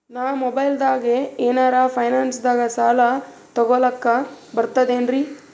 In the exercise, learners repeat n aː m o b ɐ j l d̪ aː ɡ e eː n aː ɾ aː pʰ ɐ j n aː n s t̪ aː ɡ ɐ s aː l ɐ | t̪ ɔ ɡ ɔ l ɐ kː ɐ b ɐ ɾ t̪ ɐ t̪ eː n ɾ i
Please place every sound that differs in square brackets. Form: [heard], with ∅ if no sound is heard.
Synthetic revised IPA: n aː m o b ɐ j l d̪ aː ɡ e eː n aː ɾ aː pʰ ɐ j n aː n s [d̪] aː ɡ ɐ s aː l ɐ | t̪ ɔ ɡ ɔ l ɐ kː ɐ b ɐ ɾ t̪ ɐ [d̪] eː n ɾ i